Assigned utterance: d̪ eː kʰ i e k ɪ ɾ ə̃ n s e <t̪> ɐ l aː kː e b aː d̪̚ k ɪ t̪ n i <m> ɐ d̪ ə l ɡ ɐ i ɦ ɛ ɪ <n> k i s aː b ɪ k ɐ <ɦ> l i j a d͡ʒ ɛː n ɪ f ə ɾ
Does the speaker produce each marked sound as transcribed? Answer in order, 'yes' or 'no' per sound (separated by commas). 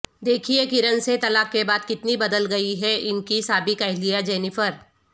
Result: yes, no, yes, yes